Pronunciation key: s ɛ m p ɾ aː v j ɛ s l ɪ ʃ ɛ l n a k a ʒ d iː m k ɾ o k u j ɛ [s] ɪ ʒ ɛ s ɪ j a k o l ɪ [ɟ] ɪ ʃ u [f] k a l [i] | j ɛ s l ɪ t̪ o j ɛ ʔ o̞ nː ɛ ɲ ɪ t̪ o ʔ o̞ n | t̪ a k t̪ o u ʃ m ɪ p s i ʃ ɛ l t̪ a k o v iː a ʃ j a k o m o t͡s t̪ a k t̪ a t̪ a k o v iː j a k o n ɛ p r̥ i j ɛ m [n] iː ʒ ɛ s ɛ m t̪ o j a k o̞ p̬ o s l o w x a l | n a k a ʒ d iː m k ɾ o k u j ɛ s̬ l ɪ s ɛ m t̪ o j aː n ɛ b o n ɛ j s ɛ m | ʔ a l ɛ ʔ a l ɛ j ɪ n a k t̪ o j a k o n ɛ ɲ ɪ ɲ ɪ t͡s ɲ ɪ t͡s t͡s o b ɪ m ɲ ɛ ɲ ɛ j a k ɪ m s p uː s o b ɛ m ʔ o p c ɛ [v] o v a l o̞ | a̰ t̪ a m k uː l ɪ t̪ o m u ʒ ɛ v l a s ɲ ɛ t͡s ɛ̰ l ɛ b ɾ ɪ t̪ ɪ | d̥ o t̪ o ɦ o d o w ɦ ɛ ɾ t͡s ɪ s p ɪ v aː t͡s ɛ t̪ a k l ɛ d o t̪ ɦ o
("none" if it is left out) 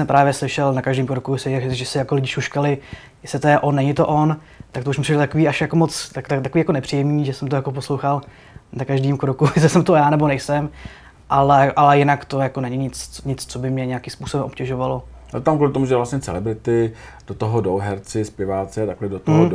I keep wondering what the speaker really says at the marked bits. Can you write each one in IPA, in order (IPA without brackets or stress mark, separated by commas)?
s, ɟ, ʃ, ɪ, ɲ, ʒ